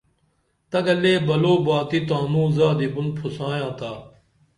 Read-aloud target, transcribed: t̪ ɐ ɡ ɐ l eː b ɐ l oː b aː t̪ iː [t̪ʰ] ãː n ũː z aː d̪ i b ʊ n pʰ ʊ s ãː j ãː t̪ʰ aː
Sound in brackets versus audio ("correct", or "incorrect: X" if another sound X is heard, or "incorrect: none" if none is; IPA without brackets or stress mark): incorrect: t̪